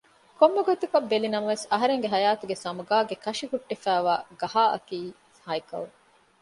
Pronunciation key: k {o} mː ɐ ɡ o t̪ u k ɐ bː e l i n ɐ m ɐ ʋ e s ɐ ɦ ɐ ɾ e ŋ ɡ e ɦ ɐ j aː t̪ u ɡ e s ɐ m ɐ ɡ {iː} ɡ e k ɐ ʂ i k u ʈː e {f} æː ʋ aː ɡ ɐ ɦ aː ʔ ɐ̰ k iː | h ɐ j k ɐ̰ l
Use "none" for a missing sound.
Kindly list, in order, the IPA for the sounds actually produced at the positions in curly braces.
o, aː, f

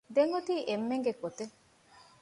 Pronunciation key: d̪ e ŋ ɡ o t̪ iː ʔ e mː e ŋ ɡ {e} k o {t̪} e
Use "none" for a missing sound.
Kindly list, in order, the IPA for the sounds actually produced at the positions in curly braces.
e, t̪

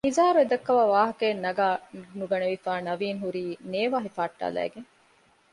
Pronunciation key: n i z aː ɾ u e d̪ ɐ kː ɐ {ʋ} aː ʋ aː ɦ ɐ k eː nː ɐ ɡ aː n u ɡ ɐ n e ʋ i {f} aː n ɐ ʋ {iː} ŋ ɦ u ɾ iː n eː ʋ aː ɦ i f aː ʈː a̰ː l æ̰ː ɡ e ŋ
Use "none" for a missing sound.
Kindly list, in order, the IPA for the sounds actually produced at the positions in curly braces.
ʋ, f, iː

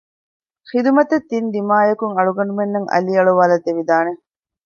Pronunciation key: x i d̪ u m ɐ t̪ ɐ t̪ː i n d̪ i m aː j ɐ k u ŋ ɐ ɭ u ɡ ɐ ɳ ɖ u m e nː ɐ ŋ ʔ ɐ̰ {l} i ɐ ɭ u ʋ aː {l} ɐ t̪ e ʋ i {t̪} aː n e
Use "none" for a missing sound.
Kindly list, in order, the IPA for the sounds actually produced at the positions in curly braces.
l, l, d̪

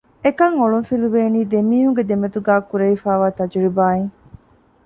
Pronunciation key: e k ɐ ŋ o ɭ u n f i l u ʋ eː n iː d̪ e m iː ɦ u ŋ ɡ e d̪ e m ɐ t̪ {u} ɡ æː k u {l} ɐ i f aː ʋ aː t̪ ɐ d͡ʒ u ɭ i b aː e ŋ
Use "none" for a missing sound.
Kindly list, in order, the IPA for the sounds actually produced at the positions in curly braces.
u, ɾ

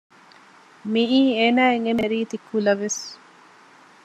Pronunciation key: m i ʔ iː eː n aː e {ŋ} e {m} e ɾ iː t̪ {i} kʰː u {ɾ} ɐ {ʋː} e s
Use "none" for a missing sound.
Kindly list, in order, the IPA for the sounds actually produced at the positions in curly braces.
ŋ, m, i, l, ʋ

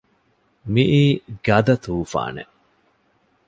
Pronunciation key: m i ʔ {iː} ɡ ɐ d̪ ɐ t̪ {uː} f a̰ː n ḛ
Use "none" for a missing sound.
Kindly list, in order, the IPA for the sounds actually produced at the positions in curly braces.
iː, uː

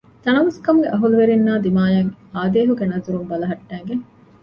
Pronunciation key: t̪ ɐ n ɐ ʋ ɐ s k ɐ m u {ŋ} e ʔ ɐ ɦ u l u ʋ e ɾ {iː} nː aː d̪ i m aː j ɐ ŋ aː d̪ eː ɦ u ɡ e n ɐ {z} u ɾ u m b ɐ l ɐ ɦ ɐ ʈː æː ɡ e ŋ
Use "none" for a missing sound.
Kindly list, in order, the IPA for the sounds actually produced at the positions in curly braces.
ɡ, i, z

